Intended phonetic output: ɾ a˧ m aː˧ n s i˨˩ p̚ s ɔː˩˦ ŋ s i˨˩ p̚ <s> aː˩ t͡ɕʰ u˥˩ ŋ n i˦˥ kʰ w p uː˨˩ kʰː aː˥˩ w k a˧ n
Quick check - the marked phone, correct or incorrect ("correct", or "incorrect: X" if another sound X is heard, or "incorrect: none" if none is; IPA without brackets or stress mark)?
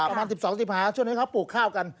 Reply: incorrect: h